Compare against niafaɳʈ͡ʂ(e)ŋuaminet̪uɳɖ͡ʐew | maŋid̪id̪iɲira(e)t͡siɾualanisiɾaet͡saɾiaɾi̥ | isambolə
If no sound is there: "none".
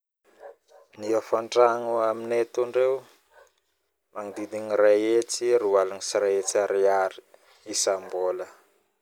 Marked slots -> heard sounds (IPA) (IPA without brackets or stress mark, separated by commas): a, e